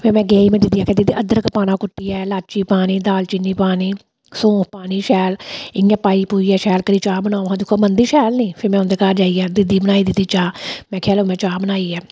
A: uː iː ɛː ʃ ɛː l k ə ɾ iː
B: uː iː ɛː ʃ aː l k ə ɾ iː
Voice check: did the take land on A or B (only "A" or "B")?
A